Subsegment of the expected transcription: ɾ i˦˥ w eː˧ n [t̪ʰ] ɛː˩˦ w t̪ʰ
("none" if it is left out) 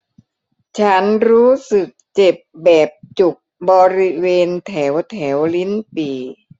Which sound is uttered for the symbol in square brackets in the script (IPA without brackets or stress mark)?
t̪ʰ